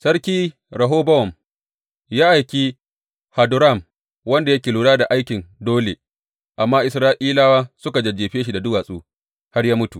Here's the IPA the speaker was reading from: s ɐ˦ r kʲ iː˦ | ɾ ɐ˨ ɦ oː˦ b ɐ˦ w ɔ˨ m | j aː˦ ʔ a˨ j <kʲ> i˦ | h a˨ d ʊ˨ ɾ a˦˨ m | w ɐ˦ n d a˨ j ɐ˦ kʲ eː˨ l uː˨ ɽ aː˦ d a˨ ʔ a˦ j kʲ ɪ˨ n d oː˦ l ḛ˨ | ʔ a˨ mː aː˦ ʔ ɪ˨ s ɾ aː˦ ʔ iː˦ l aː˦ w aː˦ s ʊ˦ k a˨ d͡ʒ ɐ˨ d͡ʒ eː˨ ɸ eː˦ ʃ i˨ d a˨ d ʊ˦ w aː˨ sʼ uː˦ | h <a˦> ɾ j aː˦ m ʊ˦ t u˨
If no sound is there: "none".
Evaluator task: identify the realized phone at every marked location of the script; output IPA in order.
kʲ, a˦

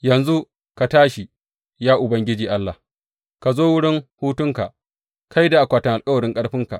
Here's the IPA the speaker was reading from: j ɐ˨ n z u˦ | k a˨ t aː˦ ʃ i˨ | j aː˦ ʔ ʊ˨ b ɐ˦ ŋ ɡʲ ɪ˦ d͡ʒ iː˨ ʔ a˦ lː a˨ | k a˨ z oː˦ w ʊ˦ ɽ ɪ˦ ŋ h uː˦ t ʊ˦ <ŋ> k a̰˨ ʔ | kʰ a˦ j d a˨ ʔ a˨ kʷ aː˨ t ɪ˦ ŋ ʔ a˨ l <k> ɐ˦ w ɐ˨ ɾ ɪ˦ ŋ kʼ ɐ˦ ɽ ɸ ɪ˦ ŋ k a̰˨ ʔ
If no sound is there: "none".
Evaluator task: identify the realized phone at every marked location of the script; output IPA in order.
ŋ, kʼ

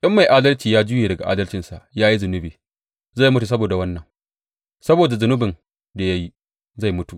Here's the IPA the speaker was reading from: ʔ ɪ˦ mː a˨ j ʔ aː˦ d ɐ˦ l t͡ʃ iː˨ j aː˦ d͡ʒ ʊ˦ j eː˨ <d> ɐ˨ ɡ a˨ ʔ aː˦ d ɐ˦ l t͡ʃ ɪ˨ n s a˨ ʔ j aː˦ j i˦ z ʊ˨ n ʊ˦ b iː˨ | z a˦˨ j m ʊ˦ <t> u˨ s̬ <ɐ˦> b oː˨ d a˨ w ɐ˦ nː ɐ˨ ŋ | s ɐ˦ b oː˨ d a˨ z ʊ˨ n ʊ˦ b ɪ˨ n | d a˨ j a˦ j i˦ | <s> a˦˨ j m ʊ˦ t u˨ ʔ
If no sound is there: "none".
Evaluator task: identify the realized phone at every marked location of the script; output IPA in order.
d, t, ɐ˦, z

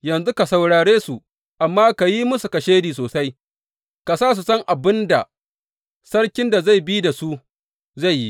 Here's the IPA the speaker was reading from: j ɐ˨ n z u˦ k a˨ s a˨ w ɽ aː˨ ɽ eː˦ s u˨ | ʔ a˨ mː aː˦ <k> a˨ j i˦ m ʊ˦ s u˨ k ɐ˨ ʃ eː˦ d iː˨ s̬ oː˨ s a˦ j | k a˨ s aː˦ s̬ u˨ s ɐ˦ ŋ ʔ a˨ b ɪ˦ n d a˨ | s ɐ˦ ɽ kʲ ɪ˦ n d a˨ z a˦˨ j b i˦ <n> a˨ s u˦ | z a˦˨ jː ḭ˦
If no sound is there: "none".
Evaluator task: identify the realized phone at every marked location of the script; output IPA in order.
k, d

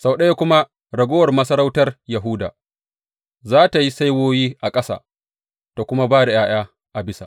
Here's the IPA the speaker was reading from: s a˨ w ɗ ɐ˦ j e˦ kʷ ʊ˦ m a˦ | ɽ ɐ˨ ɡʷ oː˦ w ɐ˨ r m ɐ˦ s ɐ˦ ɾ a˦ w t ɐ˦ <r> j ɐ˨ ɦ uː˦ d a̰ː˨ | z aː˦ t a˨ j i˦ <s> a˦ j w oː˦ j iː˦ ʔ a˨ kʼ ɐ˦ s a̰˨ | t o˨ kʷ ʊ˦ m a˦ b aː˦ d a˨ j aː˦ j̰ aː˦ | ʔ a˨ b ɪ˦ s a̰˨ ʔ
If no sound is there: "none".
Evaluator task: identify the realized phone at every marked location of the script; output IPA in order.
r, s

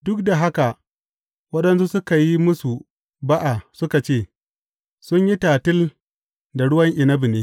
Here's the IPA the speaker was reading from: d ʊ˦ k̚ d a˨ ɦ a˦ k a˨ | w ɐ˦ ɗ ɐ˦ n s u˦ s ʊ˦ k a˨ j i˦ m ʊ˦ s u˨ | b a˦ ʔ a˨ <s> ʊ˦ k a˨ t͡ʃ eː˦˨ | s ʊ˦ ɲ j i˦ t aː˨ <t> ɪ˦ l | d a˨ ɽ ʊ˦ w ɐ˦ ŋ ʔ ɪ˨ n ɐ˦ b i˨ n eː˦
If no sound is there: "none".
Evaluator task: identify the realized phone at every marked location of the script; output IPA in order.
s, t

